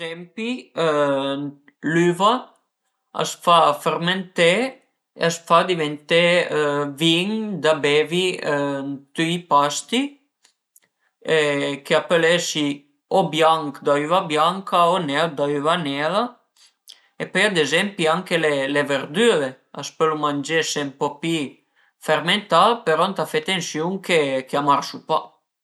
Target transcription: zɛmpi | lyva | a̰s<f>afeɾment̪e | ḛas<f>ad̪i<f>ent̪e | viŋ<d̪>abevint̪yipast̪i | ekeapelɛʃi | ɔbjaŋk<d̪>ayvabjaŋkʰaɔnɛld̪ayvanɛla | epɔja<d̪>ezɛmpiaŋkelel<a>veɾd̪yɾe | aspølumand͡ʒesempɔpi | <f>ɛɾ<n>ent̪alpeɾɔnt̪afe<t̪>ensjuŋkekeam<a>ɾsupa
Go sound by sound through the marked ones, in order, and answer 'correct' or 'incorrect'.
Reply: correct, correct, incorrect: v, correct, correct, correct, incorrect: e, correct, incorrect: m, correct, correct

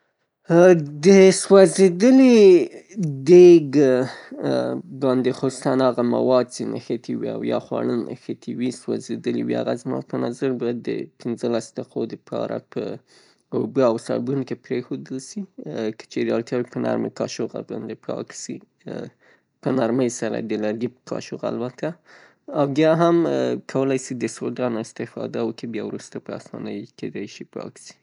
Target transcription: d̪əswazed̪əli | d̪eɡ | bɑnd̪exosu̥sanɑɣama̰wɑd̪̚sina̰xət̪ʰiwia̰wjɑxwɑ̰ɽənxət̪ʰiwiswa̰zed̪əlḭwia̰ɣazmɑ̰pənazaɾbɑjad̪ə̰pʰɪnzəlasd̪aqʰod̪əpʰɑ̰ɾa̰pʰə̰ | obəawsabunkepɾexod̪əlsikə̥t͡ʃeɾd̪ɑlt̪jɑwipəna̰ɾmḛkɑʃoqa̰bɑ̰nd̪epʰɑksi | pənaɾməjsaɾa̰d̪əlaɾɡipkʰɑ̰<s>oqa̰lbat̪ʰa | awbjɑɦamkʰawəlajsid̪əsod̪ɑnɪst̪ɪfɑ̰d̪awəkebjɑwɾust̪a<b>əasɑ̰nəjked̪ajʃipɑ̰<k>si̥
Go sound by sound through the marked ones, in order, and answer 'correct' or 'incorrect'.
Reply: incorrect: ʃ, incorrect: p, correct

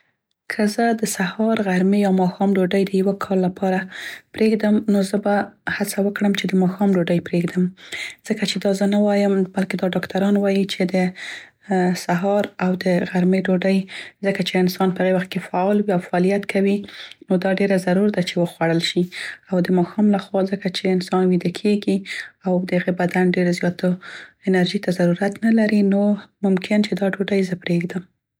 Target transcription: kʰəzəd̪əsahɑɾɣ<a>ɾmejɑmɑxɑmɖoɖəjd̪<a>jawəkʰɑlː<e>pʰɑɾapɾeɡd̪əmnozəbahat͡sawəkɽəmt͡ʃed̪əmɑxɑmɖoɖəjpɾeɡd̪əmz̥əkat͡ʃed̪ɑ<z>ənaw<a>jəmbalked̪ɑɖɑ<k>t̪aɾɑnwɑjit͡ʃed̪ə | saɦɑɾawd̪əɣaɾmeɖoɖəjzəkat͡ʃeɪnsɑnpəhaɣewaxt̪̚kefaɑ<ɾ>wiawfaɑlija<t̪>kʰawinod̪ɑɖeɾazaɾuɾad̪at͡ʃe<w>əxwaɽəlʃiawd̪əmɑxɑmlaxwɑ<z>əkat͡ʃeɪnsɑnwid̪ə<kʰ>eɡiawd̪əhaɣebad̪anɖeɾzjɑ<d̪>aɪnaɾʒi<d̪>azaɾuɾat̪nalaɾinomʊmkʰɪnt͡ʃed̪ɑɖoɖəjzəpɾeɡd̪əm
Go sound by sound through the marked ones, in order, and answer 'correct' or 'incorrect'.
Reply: correct, incorrect: ə, incorrect: a, correct, incorrect: ɑ, correct, incorrect: l, correct, correct, correct, correct, incorrect: t̪, incorrect: t̪

